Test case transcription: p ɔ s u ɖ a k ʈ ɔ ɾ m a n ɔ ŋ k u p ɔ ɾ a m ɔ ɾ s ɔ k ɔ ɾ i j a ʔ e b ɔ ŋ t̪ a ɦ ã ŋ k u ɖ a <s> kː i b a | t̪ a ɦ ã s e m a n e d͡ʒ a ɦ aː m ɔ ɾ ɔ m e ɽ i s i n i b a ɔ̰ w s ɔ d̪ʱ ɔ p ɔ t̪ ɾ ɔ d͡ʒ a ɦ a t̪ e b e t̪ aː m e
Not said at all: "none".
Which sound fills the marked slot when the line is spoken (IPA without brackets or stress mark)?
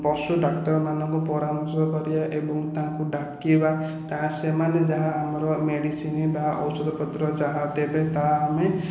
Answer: none